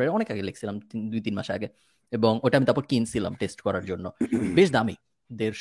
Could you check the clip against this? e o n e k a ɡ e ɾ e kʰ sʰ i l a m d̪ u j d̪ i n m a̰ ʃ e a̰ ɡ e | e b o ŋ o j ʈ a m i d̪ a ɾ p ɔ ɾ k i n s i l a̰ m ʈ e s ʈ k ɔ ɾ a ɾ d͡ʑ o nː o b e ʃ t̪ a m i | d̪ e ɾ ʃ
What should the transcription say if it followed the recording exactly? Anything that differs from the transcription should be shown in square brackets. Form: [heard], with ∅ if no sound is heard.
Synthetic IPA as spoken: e [ɔ] n e k a ɡ e [l] e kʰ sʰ i l a m d̪ u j [t̪] i n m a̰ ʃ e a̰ ɡ e | e b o ŋ o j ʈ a m i [t̪] a ɾ p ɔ ɾ k i n s i l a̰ m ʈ e s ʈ k ɔ ɾ a ɾ d͡ʑ o nː o b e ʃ [d̪] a m i | d̪ e ɾ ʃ